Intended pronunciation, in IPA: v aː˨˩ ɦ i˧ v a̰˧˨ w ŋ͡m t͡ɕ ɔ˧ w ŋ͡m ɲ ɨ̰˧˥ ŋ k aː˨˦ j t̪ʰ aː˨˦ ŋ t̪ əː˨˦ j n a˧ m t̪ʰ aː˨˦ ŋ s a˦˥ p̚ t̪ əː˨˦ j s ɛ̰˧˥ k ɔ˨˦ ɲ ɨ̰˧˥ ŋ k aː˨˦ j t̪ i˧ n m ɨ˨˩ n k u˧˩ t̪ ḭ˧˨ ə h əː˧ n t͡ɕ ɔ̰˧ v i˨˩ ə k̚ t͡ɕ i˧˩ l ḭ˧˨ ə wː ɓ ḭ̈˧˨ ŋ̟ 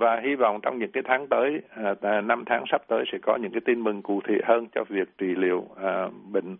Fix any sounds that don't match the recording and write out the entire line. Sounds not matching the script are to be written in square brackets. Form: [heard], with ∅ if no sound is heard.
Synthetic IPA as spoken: v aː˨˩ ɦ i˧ v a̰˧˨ w ŋ͡m t͡ɕ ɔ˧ w ŋ͡m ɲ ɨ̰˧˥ ŋ k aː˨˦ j t̪ʰ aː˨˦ ŋ t̪ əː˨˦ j n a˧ m t̪ʰ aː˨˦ ŋ s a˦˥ p̚ t̪ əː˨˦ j s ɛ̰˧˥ k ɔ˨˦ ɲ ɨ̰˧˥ ŋ k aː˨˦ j t̪ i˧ n m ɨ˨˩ [ŋ] k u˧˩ [t̪ʰ] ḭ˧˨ ə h əː˧ n t͡ɕ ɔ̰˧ v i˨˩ ə k̚ t͡ɕ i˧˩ l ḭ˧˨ ə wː ɓ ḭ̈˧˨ ŋ̟